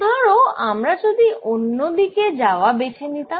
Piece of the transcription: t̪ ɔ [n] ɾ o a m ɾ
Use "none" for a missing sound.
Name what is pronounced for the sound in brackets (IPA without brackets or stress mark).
none